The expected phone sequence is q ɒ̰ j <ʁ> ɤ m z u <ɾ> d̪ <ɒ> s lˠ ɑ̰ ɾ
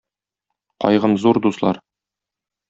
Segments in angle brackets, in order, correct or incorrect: correct, correct, incorrect: u

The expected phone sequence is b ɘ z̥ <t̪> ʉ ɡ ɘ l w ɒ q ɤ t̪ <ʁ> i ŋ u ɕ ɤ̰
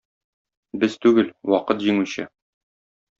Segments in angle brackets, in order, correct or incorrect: correct, incorrect: ʑ

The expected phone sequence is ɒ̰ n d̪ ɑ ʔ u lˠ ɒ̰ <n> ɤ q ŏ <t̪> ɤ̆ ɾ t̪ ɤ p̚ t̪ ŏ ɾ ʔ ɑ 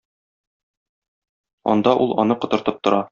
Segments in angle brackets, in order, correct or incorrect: correct, correct

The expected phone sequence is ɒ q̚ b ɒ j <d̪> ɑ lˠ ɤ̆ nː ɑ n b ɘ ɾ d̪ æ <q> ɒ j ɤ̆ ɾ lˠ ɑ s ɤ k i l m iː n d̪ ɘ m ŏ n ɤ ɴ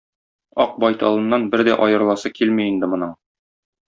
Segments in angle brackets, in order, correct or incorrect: incorrect: t̪, incorrect: ʔ

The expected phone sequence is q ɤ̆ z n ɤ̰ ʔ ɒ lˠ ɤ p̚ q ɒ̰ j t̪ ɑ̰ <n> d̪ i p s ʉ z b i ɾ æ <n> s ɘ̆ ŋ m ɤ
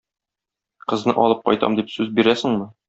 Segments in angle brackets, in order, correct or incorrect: incorrect: m, incorrect: none

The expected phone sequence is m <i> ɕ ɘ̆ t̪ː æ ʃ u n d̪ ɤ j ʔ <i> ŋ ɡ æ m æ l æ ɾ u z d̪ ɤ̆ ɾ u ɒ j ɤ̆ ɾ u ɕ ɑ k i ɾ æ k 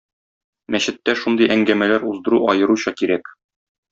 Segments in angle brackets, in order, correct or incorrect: incorrect: æ, incorrect: æ

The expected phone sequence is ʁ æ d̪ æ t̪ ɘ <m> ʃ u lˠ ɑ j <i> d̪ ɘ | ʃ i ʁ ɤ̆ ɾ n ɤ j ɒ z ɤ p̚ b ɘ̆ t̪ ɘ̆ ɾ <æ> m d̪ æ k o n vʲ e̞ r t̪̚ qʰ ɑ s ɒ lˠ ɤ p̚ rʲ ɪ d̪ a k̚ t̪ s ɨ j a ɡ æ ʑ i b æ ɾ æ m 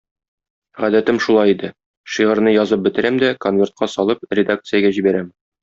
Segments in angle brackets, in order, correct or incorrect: correct, correct, correct

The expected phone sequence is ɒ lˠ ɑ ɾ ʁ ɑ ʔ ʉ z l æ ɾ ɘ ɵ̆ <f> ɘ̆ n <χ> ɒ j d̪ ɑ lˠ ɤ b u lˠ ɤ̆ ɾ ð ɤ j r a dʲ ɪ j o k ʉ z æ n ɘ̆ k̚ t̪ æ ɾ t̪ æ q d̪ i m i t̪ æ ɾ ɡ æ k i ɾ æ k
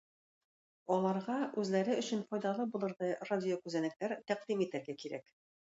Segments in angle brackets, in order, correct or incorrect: incorrect: ɕ, incorrect: f

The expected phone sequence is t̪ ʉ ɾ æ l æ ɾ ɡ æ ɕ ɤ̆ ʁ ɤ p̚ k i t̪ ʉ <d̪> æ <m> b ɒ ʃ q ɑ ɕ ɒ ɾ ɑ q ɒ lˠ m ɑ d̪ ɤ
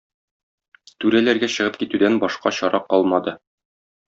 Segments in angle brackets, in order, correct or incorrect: correct, incorrect: n

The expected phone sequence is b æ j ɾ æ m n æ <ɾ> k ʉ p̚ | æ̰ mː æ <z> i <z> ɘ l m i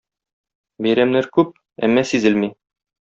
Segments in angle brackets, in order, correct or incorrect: correct, incorrect: s, correct

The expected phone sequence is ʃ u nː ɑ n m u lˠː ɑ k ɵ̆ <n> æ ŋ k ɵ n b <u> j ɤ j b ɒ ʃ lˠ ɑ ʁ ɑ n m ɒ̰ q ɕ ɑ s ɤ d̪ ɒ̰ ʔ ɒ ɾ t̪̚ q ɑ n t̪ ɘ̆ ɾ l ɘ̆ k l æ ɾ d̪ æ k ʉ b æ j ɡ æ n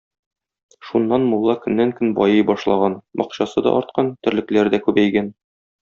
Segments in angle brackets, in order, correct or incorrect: incorrect: nː, incorrect: ɒ

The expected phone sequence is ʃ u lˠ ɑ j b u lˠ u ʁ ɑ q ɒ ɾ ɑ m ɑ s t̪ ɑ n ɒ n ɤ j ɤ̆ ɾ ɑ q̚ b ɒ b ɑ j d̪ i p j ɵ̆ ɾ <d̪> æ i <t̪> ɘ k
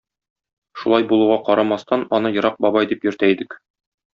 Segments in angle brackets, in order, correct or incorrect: incorrect: t̪, incorrect: d̪

